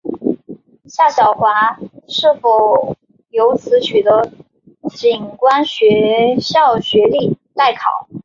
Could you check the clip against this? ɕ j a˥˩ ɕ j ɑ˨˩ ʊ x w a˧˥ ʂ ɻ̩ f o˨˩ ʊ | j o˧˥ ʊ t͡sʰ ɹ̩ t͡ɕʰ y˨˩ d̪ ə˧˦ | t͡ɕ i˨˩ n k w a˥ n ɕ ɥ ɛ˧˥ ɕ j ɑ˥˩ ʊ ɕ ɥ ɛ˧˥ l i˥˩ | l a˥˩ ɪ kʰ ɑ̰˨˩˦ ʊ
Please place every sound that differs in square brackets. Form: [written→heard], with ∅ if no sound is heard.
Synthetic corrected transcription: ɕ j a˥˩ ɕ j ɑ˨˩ ʊ x w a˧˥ ʂ ɻ̩ f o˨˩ ʊ | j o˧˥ ʊ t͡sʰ ɹ̩ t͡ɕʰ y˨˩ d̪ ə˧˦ | t͡ɕ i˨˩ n k w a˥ n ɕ ɥ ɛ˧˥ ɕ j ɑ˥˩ ʊ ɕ ɥ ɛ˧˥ l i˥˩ | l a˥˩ ɪ kʰ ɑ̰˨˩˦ ʊ